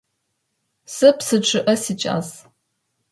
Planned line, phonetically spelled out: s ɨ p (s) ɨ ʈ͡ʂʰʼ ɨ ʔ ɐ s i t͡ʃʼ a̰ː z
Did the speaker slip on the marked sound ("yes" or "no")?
no